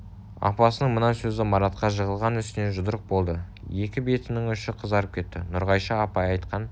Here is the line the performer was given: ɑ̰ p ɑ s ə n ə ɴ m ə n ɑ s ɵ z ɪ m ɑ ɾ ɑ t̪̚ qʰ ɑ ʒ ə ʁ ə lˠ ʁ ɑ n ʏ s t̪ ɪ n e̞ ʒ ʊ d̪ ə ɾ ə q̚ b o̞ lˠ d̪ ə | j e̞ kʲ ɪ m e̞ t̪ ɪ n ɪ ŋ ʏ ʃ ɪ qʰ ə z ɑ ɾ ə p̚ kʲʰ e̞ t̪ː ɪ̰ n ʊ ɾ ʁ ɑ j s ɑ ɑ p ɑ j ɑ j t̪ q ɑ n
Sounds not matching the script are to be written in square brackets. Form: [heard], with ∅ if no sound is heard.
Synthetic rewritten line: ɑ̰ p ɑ s ə n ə ɴ m ə n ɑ s ɵ z ɪ m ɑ ɾ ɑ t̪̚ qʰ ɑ ʒ ə ʁ ə lˠ ʁ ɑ n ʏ s t̪ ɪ n e̞ ʒ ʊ d̪ ə ɾ ə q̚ b o̞ lˠ d̪ ə | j e̞ kʲ ɪ [b] e̞ t̪ ɪ n ɪ ŋ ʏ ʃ ɪ qʰ ə z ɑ ɾ ə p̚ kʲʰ e̞ t̪ː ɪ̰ n ʊ ɾ ʁ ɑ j [ʃ] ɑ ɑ p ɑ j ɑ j t̪ q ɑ n